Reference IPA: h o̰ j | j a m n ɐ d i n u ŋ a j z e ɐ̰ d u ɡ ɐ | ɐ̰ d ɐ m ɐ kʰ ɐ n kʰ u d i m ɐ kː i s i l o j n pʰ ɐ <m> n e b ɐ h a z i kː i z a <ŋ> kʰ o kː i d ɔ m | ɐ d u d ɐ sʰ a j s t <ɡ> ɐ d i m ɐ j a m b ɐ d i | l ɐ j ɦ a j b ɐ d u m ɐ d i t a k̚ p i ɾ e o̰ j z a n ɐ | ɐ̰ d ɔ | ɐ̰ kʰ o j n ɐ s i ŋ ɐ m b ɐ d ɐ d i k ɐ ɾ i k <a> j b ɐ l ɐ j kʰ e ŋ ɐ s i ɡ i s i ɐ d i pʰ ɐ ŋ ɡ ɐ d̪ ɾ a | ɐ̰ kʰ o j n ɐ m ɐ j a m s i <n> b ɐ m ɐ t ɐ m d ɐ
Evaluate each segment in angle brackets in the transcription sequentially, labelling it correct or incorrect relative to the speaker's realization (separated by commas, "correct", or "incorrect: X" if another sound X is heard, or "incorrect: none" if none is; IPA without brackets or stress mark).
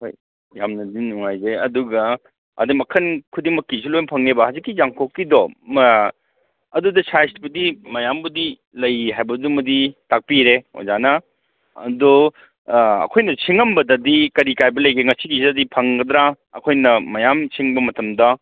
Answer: incorrect: ŋ, correct, incorrect: b, correct, incorrect: ŋ